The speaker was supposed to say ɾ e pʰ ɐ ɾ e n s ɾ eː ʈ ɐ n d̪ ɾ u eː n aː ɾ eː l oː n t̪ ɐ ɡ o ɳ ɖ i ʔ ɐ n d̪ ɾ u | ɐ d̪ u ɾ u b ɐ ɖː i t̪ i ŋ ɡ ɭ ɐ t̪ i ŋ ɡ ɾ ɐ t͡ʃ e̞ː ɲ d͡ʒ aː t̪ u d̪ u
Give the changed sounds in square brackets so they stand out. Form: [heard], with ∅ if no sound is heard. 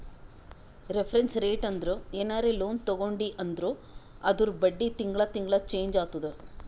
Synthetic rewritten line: ɾ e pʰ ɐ ɾ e n s ɾ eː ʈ ɐ n d̪ ɾ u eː n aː ɾ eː l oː n t̪ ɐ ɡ o ɳ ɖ i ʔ ɐ n d̪ ɾ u | ɐ d̪ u ɾ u b ɐ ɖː i t̪ i ŋ ɡ ɭ ɐ t̪ i ŋ ɡ [ɭ] ɐ t͡ʃ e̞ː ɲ d͡ʒ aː t̪ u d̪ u